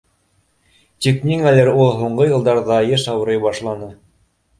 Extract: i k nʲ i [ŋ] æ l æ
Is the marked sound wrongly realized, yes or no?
no